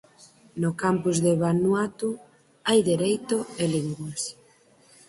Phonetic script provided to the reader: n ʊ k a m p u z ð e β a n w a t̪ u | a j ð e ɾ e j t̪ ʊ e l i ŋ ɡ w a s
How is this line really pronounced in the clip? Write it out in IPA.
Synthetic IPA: n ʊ k a m p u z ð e β a n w a t̪ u | a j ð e ɾ e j t̪ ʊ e l i ŋ ɡ w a s

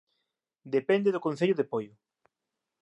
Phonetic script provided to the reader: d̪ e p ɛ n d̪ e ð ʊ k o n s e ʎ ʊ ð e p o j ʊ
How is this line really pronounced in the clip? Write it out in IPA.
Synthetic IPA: d̪ e p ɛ n d̪ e ð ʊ k o n θ e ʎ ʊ ð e p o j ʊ

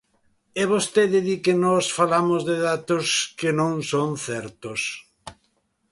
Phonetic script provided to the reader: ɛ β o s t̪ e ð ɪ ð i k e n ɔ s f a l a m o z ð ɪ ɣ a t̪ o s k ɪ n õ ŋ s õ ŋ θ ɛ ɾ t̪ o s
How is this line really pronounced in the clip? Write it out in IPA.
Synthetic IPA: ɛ β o s t̪ e ð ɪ ð i k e n ɔ s f a l a m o z ð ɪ ð a t̪ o s k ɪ n õ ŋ s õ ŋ θ ɛ ɾ t̪ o s

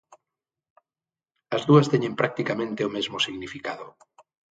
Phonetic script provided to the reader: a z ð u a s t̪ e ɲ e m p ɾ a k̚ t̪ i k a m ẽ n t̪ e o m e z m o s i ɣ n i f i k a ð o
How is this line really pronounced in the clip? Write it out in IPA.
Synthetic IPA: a z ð u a s t̪ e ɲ e m p ɾ a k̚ t̪ i k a m ẽ n t̪ e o m e z m o s i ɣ n i f i k a ð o

